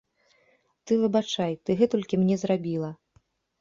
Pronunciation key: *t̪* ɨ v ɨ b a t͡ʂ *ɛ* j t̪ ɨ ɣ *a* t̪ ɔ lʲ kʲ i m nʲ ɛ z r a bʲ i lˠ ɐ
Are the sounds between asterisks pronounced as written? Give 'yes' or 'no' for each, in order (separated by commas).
yes, no, no